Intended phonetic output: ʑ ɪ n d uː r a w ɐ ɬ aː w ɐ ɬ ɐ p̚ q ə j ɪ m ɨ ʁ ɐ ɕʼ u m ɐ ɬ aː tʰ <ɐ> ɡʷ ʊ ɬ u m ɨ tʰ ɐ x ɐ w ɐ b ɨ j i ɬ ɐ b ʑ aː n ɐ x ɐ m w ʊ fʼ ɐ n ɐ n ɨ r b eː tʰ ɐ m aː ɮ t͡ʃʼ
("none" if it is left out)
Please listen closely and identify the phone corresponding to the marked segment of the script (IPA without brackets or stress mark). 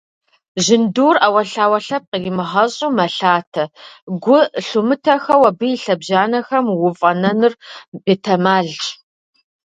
ɐ